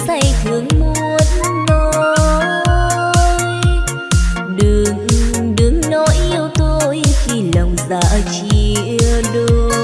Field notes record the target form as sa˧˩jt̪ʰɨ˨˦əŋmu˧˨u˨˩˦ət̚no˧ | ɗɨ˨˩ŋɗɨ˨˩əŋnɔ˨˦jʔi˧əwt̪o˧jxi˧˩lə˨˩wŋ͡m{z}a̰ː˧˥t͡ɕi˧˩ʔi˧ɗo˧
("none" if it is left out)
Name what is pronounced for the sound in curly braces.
z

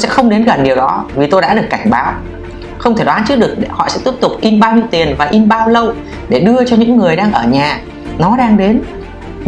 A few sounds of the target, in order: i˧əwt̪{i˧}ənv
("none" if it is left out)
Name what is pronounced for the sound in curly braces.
i˨˩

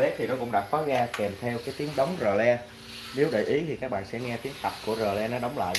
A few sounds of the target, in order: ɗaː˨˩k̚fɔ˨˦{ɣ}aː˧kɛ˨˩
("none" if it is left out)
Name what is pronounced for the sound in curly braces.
ɣ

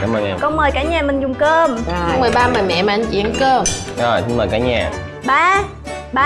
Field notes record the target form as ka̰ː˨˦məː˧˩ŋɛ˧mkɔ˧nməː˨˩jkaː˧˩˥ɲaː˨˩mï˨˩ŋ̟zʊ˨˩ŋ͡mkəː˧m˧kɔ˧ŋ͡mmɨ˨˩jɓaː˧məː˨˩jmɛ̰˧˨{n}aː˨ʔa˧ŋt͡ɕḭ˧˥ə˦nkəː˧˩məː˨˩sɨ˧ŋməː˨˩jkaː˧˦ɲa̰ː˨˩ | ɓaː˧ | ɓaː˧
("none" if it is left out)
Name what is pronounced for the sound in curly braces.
m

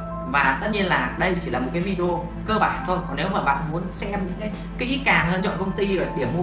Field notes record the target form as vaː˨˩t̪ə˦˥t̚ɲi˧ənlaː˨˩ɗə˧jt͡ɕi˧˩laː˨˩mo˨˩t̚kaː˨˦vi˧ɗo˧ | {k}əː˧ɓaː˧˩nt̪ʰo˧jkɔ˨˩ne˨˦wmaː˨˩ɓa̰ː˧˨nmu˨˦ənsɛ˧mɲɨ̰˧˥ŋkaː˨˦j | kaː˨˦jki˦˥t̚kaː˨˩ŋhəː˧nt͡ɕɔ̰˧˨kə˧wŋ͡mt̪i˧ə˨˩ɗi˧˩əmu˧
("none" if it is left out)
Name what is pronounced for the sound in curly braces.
k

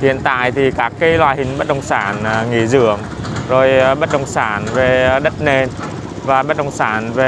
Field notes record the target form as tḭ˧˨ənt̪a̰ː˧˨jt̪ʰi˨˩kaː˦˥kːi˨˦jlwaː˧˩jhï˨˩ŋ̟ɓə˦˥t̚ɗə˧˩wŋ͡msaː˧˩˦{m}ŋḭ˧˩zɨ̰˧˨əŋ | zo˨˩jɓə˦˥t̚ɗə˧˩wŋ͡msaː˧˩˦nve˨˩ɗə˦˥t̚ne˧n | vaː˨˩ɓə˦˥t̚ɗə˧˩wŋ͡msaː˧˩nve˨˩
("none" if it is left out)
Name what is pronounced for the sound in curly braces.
n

